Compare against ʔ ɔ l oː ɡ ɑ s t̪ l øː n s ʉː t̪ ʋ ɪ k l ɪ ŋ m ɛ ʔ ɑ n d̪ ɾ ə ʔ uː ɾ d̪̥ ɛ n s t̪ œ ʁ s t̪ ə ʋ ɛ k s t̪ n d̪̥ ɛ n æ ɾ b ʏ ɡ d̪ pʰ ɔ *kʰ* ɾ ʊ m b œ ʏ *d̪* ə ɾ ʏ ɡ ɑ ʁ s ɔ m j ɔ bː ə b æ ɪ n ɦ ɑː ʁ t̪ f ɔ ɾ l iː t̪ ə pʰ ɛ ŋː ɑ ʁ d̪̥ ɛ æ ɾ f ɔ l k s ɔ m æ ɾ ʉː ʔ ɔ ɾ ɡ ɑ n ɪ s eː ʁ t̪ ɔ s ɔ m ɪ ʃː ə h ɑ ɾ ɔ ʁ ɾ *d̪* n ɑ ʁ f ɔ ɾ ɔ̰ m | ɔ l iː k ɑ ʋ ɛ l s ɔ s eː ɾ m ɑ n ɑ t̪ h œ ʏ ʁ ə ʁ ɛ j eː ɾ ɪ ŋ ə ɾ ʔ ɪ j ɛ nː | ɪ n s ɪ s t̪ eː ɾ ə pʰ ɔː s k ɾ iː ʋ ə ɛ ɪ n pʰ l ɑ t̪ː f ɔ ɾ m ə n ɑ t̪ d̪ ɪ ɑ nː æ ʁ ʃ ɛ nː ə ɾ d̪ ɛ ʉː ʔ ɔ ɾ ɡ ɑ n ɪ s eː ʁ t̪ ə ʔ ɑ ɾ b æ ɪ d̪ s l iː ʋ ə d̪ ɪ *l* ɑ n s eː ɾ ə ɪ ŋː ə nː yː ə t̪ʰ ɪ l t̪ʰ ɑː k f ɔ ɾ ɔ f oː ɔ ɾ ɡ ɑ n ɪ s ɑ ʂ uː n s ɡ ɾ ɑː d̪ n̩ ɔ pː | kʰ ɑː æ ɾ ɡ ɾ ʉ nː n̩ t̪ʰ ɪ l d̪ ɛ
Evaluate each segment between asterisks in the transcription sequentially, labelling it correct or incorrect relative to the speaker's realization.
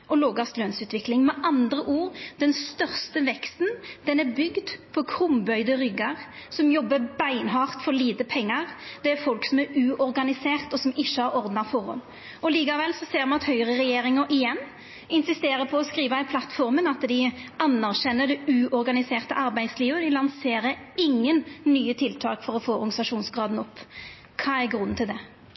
correct, correct, correct, correct

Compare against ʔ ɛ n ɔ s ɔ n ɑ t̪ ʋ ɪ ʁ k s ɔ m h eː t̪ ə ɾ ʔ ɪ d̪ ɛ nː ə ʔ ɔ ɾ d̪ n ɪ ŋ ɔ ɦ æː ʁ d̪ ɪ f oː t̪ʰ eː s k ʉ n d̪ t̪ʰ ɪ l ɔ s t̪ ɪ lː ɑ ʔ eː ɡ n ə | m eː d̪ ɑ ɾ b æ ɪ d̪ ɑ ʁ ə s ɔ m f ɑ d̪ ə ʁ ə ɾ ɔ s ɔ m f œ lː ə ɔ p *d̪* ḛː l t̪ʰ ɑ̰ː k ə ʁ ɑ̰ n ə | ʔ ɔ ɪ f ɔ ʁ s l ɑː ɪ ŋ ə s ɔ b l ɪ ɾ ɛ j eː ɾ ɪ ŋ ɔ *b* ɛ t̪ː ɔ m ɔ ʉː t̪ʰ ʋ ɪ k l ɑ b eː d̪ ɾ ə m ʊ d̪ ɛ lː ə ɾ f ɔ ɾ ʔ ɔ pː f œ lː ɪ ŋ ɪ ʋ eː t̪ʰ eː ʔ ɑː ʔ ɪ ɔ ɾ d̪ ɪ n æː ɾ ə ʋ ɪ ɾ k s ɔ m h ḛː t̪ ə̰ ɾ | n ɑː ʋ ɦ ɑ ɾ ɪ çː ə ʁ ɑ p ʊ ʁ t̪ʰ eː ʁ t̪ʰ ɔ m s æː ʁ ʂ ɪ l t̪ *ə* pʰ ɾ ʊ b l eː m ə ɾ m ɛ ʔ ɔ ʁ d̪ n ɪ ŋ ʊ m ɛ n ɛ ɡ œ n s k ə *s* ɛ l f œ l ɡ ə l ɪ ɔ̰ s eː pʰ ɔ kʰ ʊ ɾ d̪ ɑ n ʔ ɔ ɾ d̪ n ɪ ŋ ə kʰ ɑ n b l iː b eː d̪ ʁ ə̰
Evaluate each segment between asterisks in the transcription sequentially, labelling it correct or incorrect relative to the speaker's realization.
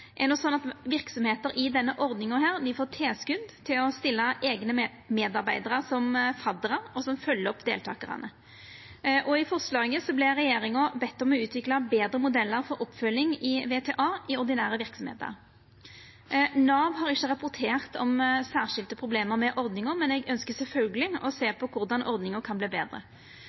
correct, correct, correct, correct

